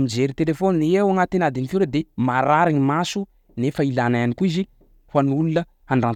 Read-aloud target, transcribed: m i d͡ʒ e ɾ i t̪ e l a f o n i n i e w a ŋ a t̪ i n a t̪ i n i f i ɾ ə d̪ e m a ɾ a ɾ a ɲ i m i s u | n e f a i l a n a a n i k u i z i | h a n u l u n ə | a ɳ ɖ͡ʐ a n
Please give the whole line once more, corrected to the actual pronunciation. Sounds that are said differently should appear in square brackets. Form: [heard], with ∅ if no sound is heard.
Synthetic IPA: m i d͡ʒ e ɾ i t̪ e l [e] f o n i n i e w a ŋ a t̪ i n a [d̪] i n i f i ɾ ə d̪ e m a ɾ a ɾ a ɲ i m [a] s u | n e f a i l a n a a n i k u i z i | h a n u l u n ə | a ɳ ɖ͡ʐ a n